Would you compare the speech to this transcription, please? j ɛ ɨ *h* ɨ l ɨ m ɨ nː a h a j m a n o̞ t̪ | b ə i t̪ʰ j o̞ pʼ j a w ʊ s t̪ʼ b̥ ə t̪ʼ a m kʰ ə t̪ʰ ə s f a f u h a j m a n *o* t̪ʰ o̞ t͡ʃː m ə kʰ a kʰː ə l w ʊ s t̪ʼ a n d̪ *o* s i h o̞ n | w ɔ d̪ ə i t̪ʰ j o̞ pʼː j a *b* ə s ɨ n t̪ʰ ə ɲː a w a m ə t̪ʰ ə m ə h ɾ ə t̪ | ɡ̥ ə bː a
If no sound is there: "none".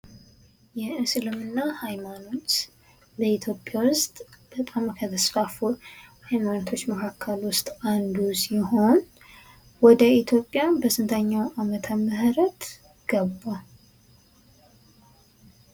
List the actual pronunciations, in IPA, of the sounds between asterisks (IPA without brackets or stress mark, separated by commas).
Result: s, o, u, b